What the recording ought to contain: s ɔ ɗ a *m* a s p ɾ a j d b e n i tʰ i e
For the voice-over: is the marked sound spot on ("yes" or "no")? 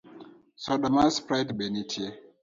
yes